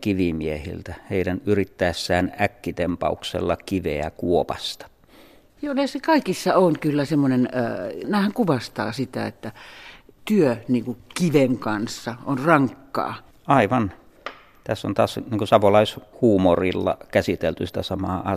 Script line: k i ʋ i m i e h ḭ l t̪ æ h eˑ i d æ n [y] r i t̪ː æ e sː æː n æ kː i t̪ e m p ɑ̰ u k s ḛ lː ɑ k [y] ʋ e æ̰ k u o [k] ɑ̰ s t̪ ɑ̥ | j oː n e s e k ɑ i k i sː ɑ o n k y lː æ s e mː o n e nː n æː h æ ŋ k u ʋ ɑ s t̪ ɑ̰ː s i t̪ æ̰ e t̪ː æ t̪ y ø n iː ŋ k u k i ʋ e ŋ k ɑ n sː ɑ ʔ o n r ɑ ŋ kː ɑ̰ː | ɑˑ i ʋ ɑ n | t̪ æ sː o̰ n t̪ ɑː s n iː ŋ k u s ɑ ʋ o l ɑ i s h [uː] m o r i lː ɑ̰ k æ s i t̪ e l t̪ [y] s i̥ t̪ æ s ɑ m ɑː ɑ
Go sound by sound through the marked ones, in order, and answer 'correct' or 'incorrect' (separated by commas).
correct, incorrect, incorrect, correct, correct